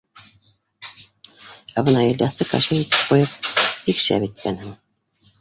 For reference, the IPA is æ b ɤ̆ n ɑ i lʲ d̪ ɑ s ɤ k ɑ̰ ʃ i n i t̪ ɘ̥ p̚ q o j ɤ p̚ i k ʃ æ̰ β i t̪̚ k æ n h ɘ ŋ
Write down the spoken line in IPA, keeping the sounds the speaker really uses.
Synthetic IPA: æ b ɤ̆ n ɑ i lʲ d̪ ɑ s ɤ k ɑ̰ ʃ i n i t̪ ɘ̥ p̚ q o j ɤ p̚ i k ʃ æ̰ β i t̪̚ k æ n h ɘ ŋ